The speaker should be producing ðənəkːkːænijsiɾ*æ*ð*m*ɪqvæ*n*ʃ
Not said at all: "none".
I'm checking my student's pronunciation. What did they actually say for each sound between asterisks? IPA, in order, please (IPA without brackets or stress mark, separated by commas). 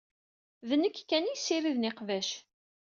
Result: i, n, none